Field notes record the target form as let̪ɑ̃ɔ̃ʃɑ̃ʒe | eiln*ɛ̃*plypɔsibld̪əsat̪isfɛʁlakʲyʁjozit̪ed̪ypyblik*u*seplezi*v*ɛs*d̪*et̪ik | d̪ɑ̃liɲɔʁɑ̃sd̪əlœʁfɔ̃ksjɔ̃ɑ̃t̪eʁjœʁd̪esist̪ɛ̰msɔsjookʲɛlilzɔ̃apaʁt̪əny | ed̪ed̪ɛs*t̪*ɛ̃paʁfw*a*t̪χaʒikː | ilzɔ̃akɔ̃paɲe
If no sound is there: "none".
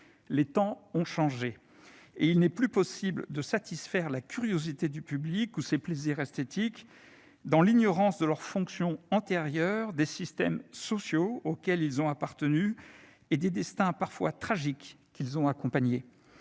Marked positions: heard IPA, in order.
ɛ, u, ʁ, t̪, t̪, a

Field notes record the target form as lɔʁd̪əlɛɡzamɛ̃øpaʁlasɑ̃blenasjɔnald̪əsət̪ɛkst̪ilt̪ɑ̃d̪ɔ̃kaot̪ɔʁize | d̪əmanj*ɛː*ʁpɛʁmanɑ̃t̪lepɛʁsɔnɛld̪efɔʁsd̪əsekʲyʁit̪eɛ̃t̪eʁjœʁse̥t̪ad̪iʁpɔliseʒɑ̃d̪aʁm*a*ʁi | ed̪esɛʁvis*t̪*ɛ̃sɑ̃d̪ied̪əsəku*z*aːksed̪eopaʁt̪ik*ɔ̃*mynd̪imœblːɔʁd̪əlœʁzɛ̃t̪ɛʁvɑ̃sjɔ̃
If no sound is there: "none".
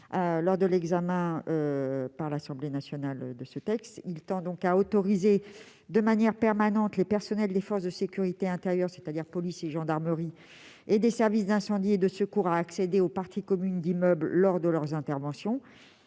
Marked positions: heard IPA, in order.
ɛ, ə, d̪, ʁ, ɔ

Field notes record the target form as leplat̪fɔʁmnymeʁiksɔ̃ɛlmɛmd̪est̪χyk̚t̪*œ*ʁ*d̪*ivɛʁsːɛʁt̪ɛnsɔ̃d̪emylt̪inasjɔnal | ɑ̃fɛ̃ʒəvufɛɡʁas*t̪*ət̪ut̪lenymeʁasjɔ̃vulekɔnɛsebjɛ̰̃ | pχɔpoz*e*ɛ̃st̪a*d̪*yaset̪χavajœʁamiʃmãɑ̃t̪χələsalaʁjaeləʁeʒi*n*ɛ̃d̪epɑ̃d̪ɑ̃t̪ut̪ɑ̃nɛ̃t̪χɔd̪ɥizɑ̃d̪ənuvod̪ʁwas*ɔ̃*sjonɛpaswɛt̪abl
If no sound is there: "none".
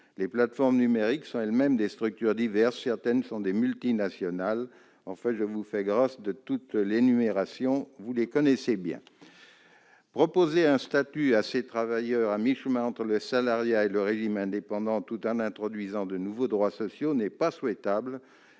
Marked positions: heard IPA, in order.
y, d̪, d̪, e, t̪, m, ɔ

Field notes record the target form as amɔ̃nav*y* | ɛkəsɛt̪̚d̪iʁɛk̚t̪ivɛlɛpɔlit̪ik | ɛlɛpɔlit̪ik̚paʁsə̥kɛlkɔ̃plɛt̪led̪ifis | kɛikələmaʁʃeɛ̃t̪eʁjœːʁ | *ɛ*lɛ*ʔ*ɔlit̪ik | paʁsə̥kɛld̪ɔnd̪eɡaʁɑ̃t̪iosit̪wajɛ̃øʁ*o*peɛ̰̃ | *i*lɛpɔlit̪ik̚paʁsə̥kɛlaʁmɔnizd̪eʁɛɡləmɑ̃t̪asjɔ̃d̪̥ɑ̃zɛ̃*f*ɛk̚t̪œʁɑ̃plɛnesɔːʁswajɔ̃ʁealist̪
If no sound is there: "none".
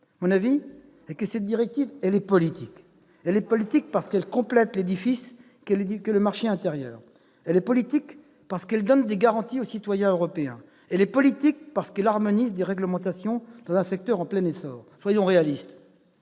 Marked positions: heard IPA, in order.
i, ɛ, p, ɔ, ɛ, s

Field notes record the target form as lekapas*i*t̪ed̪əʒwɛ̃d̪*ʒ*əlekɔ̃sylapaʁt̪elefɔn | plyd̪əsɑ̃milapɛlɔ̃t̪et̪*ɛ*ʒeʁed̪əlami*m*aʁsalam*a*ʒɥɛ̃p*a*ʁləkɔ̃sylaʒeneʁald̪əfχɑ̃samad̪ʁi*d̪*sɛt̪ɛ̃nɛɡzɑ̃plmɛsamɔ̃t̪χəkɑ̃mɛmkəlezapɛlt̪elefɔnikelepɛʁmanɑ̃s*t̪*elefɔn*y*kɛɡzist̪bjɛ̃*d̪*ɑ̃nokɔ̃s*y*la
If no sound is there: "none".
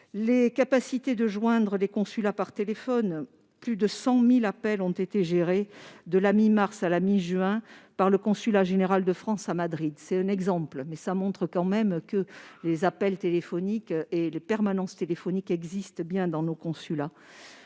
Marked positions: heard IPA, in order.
i, ʁ, e, m, i, a, d̪, t̪, i, d̪, y

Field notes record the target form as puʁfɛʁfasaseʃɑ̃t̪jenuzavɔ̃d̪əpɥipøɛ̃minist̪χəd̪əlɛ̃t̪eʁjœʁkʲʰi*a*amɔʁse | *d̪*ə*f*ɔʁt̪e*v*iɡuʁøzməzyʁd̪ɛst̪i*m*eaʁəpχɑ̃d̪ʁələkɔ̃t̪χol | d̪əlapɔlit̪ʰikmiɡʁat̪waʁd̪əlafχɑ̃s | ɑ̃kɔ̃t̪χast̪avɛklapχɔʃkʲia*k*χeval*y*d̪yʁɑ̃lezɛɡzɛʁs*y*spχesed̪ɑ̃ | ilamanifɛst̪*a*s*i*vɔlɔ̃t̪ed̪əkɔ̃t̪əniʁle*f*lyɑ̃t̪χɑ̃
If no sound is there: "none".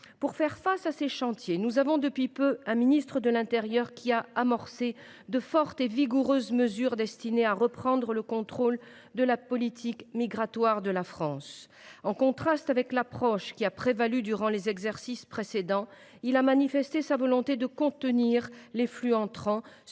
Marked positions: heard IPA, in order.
a, d̪, f, v, n, p, y, i, e, a, f

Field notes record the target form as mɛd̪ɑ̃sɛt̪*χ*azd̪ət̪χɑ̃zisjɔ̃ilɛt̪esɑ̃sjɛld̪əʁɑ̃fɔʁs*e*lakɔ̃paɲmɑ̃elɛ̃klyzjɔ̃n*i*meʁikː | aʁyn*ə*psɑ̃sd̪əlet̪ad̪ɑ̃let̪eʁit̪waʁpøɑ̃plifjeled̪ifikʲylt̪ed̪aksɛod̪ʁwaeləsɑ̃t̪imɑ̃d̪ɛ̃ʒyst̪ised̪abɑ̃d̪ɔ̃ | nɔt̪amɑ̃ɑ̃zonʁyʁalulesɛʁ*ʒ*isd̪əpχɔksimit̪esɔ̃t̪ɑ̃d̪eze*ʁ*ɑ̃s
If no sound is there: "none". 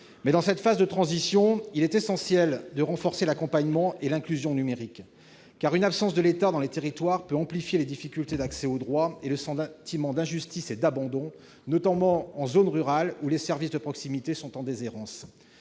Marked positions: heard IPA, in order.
f, e, y, a, v, ʁ

